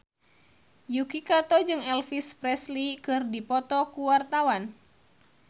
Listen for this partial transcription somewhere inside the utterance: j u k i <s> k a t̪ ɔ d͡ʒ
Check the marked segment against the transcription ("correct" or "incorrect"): incorrect